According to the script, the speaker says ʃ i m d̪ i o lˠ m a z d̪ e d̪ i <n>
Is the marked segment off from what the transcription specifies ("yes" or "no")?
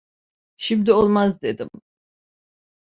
yes